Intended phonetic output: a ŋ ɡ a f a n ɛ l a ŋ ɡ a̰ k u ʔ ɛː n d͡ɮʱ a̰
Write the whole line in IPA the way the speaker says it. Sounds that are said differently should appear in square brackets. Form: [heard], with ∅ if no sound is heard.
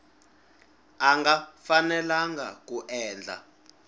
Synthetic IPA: a ŋ ɡ a f a n ɛ l a ŋ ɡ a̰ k u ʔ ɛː n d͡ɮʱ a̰